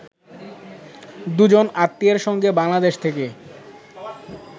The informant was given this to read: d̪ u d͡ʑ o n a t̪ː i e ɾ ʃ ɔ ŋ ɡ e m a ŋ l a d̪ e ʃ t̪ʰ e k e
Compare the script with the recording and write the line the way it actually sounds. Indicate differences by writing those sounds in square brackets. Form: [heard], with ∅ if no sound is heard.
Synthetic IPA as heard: d̪ u d͡ʑ o n a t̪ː i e ɾ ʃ ɔ ŋ ɡ e [b] a ŋ l a d̪ e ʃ t̪ʰ e k e